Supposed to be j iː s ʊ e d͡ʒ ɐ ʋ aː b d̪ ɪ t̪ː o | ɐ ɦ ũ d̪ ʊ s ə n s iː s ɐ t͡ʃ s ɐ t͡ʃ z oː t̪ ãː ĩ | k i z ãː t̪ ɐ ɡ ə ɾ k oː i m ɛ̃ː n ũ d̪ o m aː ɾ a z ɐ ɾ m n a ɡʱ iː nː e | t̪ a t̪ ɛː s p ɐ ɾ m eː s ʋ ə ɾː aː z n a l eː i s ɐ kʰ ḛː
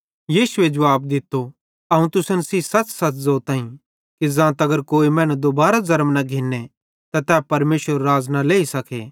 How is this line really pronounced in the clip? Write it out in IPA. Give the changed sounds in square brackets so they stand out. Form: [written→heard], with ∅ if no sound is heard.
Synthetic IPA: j iː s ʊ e d͡ʒ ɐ ʋ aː b d̪ ɪ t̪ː o | ɐ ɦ ũ [d̪→t̪] ʊ s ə n s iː s ɐ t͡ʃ s ɐ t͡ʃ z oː t̪ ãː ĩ | k i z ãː t̪ ɐ ɡ ə ɾ k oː i m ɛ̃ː n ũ d̪ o [m→b] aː ɾ a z ɐ ɾ m n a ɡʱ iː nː e | t̪ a t̪ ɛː [s→∅] p ɐ ɾ m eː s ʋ ə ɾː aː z n a l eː i s ɐ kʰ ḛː